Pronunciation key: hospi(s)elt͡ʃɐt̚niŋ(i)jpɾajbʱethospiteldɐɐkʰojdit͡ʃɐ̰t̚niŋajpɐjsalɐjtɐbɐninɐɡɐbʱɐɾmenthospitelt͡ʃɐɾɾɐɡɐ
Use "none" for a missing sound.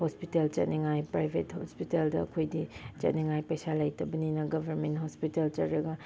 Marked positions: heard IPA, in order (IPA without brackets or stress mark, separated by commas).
t, a